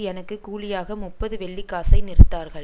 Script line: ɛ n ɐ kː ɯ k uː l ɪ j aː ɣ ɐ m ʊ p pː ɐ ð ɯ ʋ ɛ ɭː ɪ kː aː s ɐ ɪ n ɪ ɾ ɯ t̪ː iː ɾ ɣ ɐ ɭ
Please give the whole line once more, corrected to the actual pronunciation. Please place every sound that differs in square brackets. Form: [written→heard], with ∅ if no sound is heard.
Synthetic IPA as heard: ɛ n ɐ kː ɯ k uː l ɪ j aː ɣ ɐ m ʊ p pː ɐ ð ɯ ʋ ɛ ɭː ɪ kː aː s ɐ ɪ n ɪ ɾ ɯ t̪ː [iː→aː] ɾ ɣ ɐ ɭ